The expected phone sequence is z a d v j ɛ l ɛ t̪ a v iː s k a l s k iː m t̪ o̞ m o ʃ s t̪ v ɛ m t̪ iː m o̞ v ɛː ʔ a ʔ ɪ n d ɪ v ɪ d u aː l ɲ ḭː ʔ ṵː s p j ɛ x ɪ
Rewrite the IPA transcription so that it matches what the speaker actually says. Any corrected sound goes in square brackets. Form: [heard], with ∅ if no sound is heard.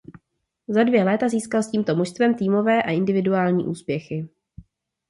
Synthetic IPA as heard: z a d v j ɛ l [ɛː] t̪ a [z] iː s k a l s [c] iː m t̪ o̞ m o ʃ s t̪ v ɛ m t̪ iː m o̞ v ɛː ʔ a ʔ ɪ n d ɪ v ɪ d u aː l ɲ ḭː ʔ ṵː s p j ɛ x ɪ